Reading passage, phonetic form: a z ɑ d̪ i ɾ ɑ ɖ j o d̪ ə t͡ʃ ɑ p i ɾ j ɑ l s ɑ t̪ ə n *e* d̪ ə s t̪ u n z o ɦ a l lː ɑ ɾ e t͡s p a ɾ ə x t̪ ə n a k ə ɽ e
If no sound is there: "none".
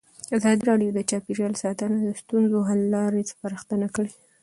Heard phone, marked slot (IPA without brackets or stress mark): a